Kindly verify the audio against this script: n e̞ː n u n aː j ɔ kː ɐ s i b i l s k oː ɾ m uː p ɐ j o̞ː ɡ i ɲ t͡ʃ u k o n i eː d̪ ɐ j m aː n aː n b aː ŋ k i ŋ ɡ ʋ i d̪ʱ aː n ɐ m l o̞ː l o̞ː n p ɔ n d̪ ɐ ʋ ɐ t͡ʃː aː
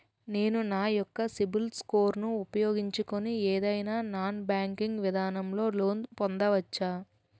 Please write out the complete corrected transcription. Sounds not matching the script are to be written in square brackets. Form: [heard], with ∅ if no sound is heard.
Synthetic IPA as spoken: n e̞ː n u n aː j ɔ kː ɐ s i b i l s k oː ɾ [n] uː p ɐ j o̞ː ɡ i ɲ t͡ʃ u k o n i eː d̪ ɐ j [n] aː n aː n b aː ŋ k i ŋ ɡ ʋ i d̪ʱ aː n ɐ m l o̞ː l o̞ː n p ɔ n d̪ ɐ ʋ ɐ t͡ʃː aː